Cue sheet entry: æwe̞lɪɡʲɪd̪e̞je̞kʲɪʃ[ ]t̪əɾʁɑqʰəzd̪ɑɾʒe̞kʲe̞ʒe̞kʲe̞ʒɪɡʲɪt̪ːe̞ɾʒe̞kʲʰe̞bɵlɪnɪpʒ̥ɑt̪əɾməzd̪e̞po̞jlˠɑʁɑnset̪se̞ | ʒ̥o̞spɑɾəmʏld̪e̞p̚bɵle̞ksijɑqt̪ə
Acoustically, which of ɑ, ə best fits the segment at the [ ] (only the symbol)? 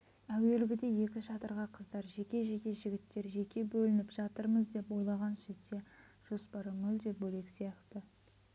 ɑ